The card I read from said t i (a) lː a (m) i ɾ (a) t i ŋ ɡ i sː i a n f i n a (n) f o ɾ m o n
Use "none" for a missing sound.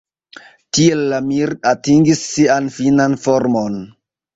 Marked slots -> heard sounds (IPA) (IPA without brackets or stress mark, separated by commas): e, m, a, n